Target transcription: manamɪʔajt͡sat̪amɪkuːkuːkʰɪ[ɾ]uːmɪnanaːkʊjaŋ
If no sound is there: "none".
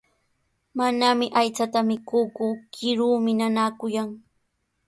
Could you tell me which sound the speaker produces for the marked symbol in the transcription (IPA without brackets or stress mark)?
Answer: ɾ